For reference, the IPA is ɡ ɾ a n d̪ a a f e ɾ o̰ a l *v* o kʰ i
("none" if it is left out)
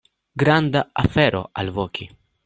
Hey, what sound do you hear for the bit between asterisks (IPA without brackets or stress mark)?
v